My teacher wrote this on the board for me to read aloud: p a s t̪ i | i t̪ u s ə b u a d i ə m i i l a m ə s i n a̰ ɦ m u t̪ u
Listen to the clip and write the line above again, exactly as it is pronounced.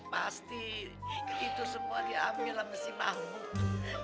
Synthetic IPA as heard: p a s t̪ i | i t̪ u s ə m u a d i a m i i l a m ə s i m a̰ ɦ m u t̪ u